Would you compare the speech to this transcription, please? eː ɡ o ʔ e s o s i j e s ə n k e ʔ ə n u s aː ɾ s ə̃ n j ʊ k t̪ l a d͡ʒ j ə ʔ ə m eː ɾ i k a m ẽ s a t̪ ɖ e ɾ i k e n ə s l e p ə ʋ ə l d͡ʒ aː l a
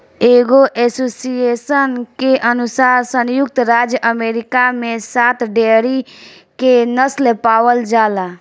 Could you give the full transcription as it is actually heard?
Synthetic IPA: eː ɡ o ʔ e s o s i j e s ə n k e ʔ ə n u s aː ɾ s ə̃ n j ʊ k t̪ ɾ a d͡ʒ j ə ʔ ə m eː ɾ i k a m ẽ s a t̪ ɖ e ɾ i k e n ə s l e p a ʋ ə l d͡ʒ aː l a